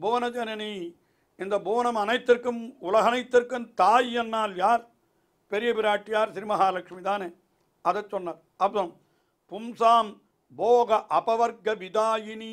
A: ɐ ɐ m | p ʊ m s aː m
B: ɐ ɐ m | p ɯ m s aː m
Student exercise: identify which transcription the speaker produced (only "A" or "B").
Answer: A